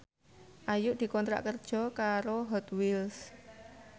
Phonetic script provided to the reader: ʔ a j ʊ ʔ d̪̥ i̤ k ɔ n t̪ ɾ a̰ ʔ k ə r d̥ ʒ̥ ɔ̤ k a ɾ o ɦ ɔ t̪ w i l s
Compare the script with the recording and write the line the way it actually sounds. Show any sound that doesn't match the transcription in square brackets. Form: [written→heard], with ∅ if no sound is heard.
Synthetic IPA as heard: ʔ a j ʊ ʔ d̪̥ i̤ k ɔ n t̪ ɾ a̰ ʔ k ə r d̥ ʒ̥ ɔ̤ k a ɾ o ɦ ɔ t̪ w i l s